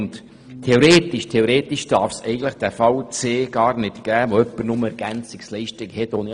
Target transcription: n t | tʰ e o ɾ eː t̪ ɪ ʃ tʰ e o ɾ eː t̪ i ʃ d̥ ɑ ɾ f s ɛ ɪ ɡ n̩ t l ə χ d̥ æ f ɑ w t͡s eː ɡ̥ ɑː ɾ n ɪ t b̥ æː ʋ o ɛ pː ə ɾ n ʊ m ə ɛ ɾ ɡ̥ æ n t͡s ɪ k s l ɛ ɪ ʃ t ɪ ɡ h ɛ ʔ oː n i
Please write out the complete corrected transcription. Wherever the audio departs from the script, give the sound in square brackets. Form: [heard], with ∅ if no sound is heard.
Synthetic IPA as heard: n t | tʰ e o ɾ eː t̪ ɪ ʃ tʰ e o ɾ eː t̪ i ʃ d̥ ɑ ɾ f s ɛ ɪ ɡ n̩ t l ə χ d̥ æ f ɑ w t͡s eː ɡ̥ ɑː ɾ n ɪ t [ɡ̥] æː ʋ o [œ] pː ə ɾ n ʊ m ə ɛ ɾ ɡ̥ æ n t͡s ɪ k s l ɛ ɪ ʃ t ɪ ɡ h ɛ [t] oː n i